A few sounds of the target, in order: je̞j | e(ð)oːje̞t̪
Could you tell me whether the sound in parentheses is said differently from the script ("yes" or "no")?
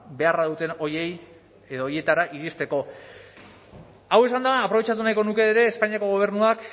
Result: no